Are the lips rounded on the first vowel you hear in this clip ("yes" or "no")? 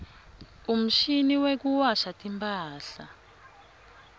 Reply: yes